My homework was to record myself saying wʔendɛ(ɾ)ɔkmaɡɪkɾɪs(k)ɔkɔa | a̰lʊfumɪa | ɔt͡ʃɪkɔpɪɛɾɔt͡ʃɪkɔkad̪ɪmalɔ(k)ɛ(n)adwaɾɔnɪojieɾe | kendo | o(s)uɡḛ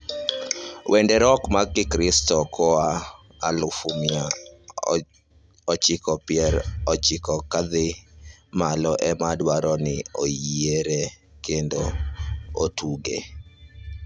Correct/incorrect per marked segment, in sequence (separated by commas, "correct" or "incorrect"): correct, incorrect, incorrect, incorrect, incorrect